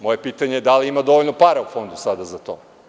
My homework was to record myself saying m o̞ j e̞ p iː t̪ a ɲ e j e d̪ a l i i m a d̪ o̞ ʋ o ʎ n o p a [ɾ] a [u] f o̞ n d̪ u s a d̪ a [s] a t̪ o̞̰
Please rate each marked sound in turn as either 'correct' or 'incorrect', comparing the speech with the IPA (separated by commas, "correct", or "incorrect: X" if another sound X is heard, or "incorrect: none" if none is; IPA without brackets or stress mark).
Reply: correct, correct, incorrect: z